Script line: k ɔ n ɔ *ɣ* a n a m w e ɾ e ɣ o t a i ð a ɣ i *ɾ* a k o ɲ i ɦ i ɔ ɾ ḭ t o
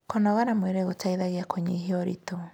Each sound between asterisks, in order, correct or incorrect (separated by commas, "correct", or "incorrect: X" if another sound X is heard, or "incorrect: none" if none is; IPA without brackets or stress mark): correct, incorrect: none